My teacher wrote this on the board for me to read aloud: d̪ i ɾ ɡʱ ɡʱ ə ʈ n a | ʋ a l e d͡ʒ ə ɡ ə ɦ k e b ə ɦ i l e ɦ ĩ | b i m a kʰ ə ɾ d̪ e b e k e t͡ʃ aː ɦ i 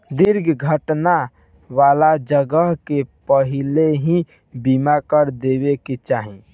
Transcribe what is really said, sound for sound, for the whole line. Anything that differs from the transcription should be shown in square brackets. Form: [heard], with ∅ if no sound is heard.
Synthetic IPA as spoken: d̪ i ɾ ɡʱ ɡʱ ə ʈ n a | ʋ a l [a] d͡ʒ ə ɡ ə ɦ k e [p] ə ɦ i l e ɦ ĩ | b i m a [k] ə ɾ d̪ e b e k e t͡ʃ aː ɦ i

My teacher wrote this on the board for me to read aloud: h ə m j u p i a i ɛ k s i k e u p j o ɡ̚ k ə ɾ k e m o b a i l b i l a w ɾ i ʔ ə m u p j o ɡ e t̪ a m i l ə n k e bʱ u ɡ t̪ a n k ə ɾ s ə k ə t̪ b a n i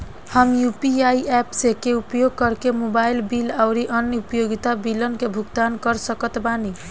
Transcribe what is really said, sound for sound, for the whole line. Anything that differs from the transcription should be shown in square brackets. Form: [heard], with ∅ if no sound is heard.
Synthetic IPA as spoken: h ə m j u p i a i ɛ [p] s [e] k e u p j o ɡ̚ k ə ɾ k e m o b a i l b i l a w ɾ i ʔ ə [n] u p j o ɡ [i] t̪ a [b] i l ə n k e bʱ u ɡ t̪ a n k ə ɾ s ə k ə t̪ b a n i

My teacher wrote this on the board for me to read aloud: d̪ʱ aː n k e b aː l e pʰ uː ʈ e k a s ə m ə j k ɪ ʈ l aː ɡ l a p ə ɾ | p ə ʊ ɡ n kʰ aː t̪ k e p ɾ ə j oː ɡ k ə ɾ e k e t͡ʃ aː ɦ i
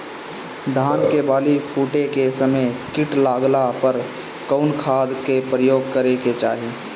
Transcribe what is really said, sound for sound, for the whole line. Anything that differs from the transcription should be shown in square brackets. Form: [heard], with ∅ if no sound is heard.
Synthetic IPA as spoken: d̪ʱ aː n k e b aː l [i] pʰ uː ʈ e k [e] s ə m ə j k ɪ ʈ l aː ɡ l a p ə ɾ | [k] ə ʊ [∅] n kʰ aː [d̪] k e p ɾ ə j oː ɡ k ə ɾ e k e t͡ʃ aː ɦ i

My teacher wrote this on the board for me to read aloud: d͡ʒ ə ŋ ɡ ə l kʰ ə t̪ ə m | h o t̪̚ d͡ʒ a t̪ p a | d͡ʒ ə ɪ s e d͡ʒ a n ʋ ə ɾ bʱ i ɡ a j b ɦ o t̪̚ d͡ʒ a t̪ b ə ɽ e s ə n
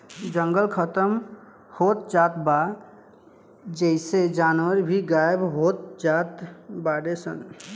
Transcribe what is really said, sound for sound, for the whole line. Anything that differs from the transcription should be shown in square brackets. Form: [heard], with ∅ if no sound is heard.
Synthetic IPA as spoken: d͡ʒ ə ŋ ɡ ə l kʰ ə t̪ ə m | h o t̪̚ d͡ʒ a t̪ [b] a | d͡ʒ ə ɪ s e d͡ʒ a n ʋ ə ɾ bʱ i ɡ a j b ɦ o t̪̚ d͡ʒ a t̪ b [a] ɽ e s ə n

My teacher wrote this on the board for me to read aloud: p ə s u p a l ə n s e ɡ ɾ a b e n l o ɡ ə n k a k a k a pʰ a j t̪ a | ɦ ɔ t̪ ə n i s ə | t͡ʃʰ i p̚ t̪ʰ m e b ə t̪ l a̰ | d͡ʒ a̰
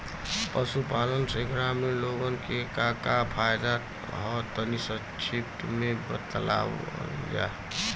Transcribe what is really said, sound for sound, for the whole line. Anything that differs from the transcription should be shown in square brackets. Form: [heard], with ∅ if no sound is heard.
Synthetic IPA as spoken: p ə s u p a l ə n s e ɡ ɾ a [m] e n l o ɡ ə n k [e] k a k a pʰ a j [d̪] a | ɦ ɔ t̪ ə n i s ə | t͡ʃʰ i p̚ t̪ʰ m e b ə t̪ l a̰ | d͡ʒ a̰

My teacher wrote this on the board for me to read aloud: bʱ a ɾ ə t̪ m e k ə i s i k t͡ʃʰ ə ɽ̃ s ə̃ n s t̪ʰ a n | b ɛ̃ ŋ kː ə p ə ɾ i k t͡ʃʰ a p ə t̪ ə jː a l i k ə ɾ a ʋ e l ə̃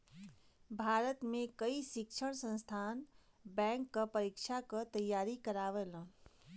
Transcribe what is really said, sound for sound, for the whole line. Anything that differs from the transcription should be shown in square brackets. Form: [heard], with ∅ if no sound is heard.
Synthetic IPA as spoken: bʱ a ɾ ə t̪ m e k ə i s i k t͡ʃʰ ə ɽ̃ s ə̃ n s t̪ʰ a n | b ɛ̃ ŋ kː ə p ə ɾ i k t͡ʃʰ a [k] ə t̪ ə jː a [ɾ] i k ə ɾ a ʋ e l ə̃

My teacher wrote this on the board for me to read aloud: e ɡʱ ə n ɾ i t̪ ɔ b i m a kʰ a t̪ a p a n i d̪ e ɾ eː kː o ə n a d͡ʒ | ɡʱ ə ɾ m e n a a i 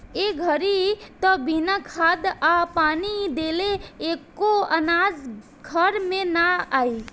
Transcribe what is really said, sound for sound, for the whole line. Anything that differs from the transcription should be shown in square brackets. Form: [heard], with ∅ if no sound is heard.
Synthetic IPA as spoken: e ɡʱ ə [∅] ɾ i t̪ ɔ b i [n] a kʰ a [d̪] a p a n i d̪ e [l] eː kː o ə n a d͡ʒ | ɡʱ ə ɾ m e n a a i

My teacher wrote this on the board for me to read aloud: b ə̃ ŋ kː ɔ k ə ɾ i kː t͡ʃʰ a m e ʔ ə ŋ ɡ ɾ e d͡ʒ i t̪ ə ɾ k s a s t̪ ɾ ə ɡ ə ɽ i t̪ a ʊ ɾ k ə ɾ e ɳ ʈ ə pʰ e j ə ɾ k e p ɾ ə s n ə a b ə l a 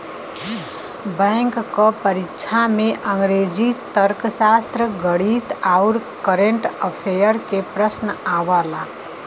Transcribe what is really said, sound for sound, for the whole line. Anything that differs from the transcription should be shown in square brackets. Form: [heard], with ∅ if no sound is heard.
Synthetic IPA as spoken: b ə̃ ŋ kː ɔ [p] ə ɾ i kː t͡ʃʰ a m e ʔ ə ŋ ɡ ɾ e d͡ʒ i t̪ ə ɾ k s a s t̪ ɾ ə ɡ ə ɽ i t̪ a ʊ ɾ k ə ɾ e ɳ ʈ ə pʰ e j ə ɾ k e p ɾ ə s n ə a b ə l a

